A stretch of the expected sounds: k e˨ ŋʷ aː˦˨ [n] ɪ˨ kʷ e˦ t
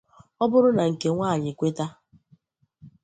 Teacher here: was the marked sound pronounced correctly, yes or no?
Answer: no